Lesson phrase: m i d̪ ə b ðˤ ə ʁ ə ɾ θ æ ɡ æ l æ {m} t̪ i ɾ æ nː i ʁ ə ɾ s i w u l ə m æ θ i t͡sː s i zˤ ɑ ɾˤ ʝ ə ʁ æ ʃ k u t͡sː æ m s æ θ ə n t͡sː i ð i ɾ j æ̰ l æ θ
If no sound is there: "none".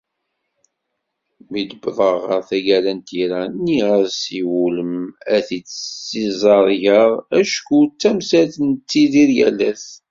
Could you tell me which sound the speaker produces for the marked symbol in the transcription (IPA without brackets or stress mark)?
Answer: n